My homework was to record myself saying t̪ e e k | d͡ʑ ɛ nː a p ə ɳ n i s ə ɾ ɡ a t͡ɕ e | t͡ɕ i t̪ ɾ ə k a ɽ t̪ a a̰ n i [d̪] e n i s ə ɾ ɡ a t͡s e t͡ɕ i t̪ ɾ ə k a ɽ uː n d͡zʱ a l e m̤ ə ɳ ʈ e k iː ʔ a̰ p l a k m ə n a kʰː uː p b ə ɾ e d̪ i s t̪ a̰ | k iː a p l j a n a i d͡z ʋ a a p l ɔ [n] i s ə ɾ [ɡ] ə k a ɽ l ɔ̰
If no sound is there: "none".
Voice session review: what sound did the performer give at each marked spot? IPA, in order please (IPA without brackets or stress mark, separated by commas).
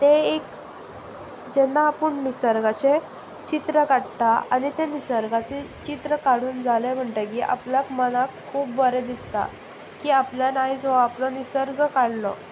t̪, n, ɡ